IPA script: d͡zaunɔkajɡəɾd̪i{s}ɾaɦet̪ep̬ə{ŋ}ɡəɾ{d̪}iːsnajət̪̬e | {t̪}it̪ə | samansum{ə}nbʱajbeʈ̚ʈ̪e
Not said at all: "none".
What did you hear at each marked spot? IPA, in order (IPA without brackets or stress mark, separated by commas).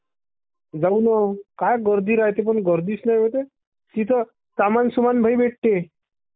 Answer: none, ɳ, d̪, t̪, a